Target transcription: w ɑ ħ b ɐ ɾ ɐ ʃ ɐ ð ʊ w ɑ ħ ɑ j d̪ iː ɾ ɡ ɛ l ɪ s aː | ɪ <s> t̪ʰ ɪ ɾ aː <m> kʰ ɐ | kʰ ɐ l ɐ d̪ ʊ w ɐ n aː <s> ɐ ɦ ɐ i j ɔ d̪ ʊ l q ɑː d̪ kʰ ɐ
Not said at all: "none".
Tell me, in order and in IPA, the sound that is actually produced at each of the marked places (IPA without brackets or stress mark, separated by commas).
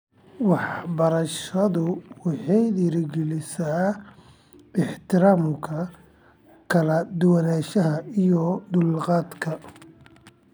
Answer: ħ, m, ʃ